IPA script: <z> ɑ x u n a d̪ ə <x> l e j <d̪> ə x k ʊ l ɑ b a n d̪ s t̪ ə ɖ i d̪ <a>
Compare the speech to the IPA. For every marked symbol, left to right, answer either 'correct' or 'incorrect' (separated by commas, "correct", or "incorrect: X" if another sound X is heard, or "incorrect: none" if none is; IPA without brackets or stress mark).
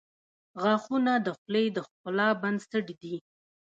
incorrect: ɣ, correct, correct, incorrect: i